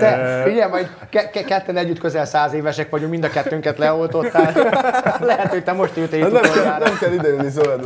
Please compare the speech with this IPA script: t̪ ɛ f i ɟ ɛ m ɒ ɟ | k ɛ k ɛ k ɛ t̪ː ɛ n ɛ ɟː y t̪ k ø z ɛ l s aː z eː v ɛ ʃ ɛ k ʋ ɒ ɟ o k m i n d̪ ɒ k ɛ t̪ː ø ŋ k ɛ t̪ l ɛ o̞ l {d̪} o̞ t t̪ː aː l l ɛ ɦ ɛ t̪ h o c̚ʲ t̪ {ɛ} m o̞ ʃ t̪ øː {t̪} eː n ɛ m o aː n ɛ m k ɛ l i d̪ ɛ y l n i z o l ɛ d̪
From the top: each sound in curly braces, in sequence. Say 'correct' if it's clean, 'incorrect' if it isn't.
incorrect: t̪, correct, correct

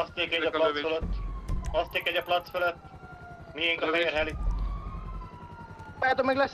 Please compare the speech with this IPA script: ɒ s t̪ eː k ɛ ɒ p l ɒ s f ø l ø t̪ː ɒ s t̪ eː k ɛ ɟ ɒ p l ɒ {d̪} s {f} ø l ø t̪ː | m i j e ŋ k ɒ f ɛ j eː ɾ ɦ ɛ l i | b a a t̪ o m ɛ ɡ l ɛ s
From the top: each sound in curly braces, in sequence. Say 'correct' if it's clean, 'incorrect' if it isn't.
incorrect: t̪, correct

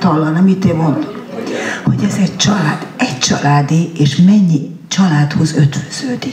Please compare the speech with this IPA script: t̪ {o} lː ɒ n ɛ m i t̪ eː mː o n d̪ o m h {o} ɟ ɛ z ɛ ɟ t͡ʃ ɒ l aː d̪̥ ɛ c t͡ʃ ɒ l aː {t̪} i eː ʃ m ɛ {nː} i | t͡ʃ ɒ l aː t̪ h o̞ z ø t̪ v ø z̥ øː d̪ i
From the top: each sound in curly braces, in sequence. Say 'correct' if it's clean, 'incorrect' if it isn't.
incorrect: ɒ, correct, incorrect: d̪, incorrect: ɲː

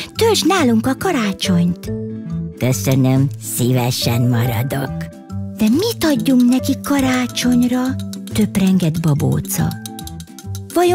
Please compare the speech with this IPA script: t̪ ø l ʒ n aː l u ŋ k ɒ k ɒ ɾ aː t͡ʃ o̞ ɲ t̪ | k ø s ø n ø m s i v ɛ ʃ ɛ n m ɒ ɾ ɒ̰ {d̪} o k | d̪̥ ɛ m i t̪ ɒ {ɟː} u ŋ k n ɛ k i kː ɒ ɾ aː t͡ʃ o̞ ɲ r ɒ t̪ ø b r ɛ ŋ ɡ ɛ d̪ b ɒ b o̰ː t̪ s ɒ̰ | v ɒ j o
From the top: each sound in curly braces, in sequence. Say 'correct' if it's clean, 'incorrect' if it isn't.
correct, correct

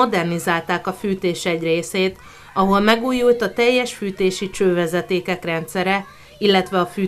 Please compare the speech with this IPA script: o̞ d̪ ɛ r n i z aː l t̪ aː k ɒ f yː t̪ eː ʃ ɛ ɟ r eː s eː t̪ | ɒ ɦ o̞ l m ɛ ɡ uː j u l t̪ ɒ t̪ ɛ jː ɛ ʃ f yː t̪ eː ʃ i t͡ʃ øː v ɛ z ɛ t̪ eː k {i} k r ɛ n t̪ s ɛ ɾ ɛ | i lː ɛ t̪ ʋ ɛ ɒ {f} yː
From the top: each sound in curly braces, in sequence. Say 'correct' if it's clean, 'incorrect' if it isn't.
incorrect: ɛ, correct

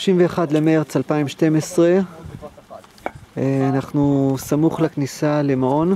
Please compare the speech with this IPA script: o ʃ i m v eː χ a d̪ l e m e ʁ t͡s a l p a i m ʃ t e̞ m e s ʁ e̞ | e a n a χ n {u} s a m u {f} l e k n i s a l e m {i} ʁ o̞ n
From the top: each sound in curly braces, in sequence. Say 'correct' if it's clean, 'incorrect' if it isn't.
correct, incorrect: χ, incorrect: a

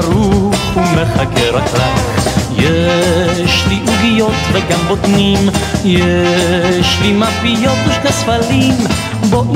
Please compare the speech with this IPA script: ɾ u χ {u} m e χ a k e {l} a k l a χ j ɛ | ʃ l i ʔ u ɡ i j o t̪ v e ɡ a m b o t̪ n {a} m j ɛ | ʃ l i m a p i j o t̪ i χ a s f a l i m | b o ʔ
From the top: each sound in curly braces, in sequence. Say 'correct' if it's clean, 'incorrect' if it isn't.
correct, incorrect: ɾ, incorrect: i

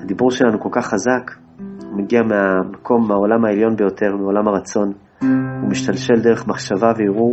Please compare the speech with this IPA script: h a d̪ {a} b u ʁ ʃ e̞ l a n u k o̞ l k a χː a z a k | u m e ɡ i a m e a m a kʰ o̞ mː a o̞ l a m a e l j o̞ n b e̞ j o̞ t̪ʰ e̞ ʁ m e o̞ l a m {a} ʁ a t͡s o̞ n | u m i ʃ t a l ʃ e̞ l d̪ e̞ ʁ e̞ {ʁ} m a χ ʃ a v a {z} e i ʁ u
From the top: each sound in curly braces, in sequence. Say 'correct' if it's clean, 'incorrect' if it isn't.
incorrect: i, correct, incorrect: χ, incorrect: v

